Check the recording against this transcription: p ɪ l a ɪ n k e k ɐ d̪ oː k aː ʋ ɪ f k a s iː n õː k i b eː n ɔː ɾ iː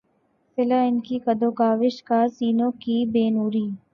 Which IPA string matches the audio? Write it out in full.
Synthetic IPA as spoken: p ɪ l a ɪ n k i k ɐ d̪ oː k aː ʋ ɪ ʃ k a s iː n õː k i b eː n uː ɾ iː